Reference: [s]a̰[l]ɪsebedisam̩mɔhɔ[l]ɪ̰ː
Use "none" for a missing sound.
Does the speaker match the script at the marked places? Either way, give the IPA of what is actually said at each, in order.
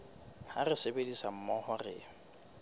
h, r, r

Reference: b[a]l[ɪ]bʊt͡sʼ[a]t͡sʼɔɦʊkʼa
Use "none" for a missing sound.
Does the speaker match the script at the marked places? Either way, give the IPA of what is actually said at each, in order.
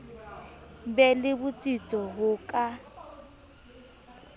ɛ, ɪ, i

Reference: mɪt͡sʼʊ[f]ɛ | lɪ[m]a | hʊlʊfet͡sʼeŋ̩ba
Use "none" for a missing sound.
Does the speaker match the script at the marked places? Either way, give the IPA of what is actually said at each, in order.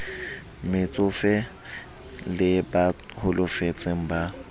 f, b

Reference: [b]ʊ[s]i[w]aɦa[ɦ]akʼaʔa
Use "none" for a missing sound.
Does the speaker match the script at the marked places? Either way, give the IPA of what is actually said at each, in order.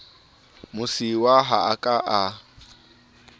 m, s, w, none

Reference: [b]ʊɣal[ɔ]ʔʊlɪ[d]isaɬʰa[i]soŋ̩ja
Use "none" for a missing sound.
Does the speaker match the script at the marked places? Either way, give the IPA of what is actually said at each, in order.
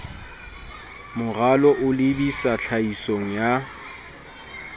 m, ɔ, b, i

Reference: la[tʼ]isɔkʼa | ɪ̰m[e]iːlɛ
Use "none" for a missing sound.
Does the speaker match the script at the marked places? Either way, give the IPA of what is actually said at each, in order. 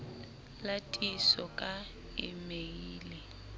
tʼ, e

